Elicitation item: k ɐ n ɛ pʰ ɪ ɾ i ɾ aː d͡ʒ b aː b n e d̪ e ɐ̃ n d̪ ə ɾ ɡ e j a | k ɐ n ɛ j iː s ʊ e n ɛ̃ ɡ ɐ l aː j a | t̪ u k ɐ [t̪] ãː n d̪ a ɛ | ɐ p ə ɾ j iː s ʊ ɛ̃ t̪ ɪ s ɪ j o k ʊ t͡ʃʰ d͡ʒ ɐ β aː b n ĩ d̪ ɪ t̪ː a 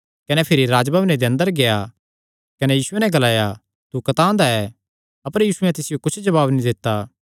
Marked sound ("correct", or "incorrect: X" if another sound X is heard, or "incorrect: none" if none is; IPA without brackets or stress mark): correct